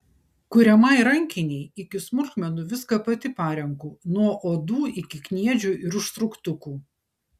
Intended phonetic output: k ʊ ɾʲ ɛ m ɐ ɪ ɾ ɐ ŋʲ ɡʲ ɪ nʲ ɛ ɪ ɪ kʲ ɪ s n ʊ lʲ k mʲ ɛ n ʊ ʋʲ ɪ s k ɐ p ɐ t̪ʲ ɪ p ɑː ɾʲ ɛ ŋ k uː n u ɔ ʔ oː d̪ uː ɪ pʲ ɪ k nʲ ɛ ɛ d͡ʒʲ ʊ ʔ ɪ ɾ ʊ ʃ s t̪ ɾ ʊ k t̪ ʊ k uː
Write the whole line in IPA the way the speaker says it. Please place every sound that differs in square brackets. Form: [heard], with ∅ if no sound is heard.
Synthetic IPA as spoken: k ʊ ɾʲ ɛ m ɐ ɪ ɾ ɐ ŋʲ [kʲ] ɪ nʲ ɛ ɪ ɪ kʲ ɪ s [m] ʊ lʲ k mʲ ɛ n ʊ ʋʲ ɪ s k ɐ p ɐ t̪ʲ ɪ p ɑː ɾʲ ɛ ŋ k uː n u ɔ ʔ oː d̪ uː ɪ [kʲ] ɪ k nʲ [i] ɛ d͡ʒʲ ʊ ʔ ɪ ɾ ʊ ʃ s t̪ ɾ ʊ k t̪ ʊ k uː